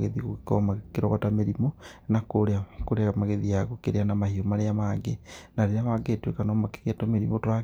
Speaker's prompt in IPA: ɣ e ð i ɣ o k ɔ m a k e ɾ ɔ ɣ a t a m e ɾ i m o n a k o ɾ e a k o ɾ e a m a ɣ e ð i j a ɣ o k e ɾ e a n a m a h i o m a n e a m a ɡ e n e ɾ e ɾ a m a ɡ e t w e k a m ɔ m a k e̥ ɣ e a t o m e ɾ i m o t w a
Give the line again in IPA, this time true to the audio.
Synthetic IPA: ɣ e ð i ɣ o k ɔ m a k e ɾ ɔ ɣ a t a m e ɾ i m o n a k o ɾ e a k o ɾ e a m a ɣ e ð i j a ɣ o k e ɾ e a n a m a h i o m a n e a m a ɡ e n a ɾ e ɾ a m a ɡ e t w e k a n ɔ m a k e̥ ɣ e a t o m e ɾ i m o t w a